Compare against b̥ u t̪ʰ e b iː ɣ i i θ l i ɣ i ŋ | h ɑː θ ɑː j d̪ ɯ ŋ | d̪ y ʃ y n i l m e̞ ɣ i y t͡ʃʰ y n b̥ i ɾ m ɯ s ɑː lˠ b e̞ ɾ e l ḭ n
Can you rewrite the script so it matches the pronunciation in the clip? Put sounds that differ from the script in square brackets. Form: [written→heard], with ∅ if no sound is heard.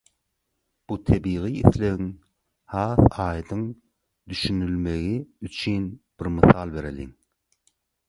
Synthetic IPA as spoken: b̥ u t̪ʰ e b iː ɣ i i θ l [i→e] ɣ i ŋ | h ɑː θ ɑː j d̪ ɯ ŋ | d̪ y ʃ y n [i→y] l m e̞ ɣ i y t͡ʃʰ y n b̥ i ɾ m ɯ [s→θ] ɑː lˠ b e̞ ɾ e l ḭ [n→ŋ]